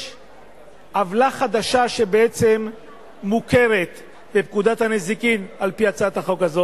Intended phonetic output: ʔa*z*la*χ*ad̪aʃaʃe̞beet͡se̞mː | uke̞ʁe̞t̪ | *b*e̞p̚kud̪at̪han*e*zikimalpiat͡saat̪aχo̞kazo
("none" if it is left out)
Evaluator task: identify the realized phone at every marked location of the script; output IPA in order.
v, χ, b, e

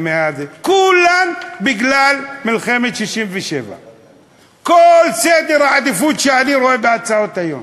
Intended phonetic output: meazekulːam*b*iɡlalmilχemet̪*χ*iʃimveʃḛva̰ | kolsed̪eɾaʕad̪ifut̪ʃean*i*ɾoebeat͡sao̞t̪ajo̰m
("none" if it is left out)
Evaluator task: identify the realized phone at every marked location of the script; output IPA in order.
b, ʃ, i

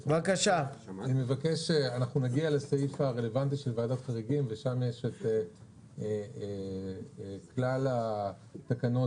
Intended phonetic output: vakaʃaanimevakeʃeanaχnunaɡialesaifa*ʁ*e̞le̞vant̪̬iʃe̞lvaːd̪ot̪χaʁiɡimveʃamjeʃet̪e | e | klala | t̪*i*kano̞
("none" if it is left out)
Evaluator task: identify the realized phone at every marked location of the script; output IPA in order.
ʁ, a

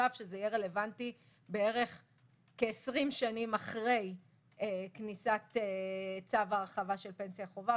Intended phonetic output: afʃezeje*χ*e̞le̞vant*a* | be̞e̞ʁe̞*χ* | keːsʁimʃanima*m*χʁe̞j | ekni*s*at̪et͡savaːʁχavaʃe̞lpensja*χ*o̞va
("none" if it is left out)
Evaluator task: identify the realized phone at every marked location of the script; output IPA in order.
ʁ, i, χ, none, s, χ

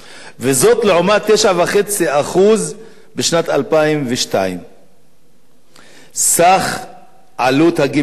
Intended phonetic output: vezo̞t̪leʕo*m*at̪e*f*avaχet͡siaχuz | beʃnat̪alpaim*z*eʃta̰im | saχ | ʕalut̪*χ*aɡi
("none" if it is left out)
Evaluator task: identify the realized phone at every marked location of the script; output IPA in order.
m, ʃ, v, h

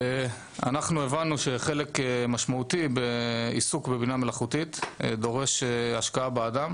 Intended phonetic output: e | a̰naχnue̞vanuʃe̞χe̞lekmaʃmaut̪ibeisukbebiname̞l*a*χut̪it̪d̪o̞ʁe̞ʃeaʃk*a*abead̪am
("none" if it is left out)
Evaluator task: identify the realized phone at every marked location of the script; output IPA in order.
a, a

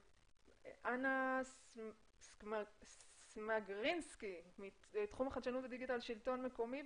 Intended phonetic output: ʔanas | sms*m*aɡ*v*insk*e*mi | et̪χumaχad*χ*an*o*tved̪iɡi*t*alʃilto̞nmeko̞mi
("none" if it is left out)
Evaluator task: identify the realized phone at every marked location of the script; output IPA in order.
m, ʁ, i, ʃ, u, t

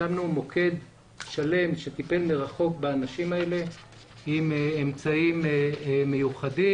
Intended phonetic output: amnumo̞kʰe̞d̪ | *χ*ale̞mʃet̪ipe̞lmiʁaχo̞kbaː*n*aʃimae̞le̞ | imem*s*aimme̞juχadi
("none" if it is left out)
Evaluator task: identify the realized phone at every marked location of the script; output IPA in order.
ʃ, n, t͡s

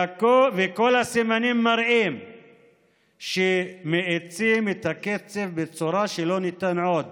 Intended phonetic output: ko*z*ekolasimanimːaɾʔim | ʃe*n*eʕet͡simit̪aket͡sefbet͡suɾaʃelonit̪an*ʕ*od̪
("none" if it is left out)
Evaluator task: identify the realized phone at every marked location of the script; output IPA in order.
v, m, ʕ

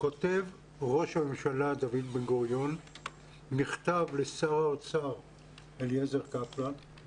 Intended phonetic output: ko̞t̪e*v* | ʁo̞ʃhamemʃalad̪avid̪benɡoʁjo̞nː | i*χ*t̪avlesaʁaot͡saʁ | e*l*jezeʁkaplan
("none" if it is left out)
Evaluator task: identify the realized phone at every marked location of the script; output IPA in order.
v, χ, l

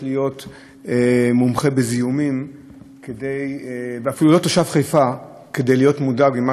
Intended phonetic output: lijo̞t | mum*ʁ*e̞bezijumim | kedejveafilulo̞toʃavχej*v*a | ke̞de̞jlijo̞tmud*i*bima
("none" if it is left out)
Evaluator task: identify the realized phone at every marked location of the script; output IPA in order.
χ, f, a

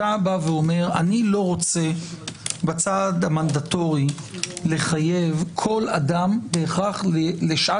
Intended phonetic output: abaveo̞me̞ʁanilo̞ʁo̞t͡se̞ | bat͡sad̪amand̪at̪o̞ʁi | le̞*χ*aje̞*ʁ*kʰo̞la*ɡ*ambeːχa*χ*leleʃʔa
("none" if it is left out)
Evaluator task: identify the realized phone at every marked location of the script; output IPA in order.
χ, v, d, χ

